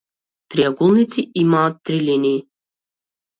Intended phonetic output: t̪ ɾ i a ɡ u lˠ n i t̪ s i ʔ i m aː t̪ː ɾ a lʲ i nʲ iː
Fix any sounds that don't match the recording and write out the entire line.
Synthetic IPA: t̪ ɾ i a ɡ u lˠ n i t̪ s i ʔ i m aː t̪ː ɾ i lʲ i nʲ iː